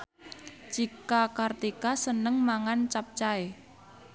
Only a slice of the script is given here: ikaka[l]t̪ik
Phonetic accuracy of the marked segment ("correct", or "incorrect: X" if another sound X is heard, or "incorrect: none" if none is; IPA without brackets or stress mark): incorrect: r